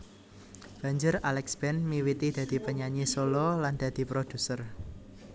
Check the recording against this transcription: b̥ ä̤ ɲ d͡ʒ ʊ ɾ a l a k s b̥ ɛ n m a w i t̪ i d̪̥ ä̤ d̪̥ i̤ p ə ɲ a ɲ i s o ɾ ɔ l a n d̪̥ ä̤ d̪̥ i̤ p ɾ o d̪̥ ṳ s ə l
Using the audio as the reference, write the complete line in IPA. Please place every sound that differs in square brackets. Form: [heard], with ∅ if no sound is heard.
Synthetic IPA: b̥ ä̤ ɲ d͡ʒ ʊ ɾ a l [ɛ] k s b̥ ɛ n m [i] w i t̪ i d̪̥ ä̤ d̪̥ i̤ p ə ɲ a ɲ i s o [l] ɔ l a n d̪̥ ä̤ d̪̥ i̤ p ɾ o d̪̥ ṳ s ə [r]